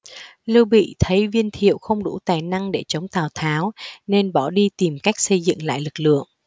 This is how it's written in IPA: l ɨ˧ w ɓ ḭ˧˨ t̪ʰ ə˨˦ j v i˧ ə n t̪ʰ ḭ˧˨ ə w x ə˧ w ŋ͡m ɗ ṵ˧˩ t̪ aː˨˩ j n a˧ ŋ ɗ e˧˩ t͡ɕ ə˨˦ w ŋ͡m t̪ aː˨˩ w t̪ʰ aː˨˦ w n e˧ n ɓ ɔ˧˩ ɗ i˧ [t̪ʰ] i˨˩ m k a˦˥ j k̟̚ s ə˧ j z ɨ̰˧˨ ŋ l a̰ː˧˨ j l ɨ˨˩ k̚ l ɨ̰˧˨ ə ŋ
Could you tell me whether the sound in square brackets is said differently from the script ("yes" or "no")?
yes